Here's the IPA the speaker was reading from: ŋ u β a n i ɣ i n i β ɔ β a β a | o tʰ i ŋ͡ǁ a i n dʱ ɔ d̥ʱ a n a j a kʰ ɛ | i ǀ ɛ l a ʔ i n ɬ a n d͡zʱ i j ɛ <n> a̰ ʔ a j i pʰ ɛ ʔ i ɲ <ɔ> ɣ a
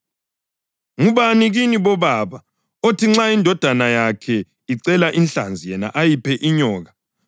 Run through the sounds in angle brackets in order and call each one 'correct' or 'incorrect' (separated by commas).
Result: correct, incorrect